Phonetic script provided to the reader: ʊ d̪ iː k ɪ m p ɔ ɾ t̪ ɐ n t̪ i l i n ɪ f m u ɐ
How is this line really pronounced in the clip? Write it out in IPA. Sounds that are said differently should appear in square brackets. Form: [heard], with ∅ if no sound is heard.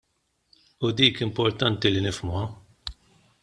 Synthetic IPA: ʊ d̪ iː k ɪ m p ɔ ɾ t̪ ɐ n t̪ i l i n ɪ f m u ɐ